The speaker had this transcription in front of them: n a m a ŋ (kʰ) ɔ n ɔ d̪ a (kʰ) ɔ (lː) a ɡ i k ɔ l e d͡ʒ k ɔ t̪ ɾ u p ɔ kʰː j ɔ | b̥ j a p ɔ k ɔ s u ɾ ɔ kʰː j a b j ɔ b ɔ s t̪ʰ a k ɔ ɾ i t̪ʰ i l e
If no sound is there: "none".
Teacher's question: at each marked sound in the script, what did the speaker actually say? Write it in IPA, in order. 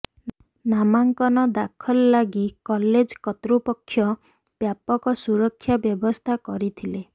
k, kʰ, lː

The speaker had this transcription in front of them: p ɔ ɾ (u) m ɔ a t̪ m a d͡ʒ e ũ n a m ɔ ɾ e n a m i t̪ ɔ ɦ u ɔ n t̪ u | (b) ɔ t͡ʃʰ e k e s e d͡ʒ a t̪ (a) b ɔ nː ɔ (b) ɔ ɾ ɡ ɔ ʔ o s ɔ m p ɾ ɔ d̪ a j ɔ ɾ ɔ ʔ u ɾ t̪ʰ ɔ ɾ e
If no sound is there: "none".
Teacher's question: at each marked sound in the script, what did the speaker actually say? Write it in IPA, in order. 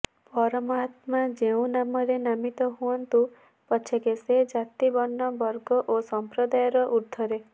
ɔ, p, i, b

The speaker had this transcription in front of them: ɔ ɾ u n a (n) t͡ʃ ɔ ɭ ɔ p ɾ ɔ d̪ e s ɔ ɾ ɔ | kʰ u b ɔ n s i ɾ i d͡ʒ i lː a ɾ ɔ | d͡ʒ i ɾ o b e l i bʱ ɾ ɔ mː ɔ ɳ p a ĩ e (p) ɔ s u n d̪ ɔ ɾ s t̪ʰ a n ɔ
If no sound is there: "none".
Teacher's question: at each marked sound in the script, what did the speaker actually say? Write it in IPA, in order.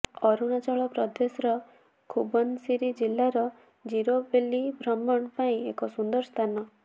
none, k

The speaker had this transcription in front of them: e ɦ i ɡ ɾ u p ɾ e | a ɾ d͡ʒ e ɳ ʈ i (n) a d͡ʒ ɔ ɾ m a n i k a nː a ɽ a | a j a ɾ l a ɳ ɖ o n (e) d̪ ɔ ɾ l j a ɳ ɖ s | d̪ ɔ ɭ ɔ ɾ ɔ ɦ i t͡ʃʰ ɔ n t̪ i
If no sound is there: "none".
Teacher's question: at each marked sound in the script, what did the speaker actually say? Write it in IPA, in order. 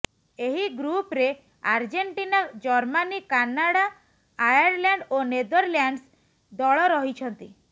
n, e

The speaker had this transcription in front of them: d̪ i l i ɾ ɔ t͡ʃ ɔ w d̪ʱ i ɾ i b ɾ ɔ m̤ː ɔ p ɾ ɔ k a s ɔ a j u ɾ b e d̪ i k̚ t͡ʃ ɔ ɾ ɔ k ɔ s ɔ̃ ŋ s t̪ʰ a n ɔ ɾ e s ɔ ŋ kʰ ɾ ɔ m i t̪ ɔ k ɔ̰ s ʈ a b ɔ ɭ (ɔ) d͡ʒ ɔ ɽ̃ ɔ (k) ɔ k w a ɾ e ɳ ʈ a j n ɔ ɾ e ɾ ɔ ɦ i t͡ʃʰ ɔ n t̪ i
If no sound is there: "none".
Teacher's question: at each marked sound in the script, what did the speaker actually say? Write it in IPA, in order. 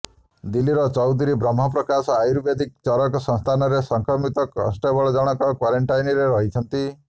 ɔ, k

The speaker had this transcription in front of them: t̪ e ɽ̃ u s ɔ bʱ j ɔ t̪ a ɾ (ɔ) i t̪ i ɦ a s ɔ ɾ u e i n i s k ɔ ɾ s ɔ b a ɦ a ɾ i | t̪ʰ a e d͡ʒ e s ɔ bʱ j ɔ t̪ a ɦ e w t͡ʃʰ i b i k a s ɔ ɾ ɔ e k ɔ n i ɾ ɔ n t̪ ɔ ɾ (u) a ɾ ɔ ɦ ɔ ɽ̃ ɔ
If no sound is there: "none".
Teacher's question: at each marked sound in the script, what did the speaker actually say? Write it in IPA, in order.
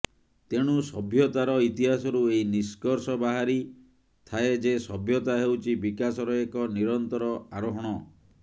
ɔ, ɔ

